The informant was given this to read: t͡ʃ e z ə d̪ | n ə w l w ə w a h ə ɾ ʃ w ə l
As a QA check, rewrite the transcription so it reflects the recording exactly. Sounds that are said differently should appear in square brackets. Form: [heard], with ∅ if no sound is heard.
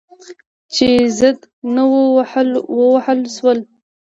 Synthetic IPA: t͡ʃ e z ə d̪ | n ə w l w ə w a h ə [l] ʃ w ə l